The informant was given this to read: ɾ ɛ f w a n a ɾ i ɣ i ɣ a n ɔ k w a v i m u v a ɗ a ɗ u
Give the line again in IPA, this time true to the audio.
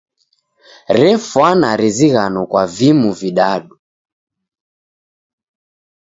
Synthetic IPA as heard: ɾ ɛ f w a n a ɾ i z i ɣ a n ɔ k w a v i m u v i ɗ a ɗ u